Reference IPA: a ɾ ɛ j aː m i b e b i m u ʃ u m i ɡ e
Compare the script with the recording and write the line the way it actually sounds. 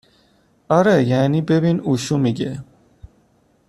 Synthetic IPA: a ɾ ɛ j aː n i b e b i n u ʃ u m i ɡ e